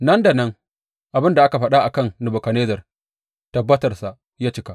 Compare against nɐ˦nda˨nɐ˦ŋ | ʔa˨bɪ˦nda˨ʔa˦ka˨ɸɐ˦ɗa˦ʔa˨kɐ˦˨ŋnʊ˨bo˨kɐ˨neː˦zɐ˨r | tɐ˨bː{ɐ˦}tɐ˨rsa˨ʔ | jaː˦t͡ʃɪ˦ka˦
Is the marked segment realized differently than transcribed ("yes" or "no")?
no